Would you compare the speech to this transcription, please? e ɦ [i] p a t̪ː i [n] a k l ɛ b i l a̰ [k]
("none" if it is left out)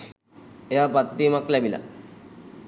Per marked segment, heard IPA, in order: a, m, none

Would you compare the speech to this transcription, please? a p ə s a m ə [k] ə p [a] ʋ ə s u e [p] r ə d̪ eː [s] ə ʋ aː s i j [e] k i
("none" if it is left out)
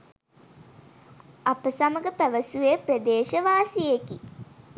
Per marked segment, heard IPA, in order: ɡ, æ, p, ʃ, e

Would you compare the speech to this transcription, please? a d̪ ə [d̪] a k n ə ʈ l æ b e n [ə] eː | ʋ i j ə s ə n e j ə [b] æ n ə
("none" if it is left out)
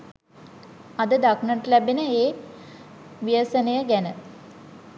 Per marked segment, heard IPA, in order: d̪, ə, ɡ

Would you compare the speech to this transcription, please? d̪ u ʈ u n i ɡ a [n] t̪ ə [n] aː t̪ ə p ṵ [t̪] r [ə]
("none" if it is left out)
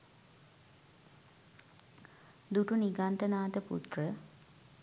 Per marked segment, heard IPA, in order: n, n, t̪, ə

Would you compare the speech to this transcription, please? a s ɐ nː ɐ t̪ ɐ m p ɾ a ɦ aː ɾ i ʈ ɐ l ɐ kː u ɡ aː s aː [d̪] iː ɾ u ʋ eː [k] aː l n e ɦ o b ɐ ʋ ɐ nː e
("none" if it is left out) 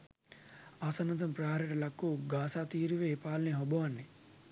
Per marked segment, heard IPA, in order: t̪, p

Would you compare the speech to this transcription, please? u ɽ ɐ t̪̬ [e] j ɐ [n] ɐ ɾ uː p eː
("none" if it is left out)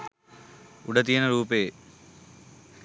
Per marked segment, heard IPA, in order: i, n

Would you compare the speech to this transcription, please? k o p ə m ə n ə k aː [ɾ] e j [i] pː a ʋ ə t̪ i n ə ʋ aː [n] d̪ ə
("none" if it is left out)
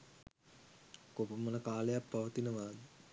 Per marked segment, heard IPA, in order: l, a, none

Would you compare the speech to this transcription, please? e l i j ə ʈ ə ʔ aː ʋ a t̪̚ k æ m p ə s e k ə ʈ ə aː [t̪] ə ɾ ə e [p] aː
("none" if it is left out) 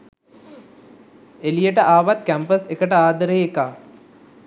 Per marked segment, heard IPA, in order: d̪, k

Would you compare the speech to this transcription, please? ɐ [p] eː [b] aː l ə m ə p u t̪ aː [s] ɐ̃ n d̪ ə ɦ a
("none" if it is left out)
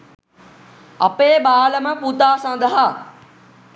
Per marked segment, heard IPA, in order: p, b, s

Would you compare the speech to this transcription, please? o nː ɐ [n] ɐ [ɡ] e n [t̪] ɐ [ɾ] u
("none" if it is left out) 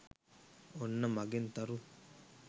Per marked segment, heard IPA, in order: m, ɡ, t̪, ɾ

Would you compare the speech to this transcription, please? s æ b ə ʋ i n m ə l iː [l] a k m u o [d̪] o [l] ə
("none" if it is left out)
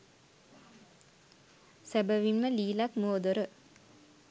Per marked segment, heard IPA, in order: l, d̪, ɾ

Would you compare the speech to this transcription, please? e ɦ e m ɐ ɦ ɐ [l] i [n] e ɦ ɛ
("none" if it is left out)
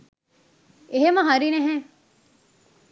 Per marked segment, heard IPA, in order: ɾ, n

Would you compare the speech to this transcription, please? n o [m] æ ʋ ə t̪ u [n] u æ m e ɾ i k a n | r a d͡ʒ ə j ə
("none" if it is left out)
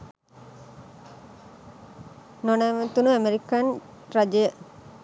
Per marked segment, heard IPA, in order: n, n

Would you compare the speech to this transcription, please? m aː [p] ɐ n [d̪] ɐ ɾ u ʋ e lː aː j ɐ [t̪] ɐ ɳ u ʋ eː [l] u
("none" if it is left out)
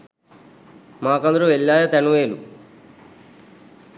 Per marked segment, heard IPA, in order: k, d̪, t̪, l

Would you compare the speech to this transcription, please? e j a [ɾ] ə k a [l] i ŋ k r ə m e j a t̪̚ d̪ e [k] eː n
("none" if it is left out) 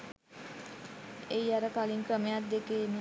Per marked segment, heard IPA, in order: ɾ, l, k

